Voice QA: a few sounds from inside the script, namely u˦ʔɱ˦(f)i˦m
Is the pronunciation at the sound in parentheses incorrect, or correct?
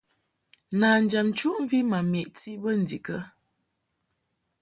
incorrect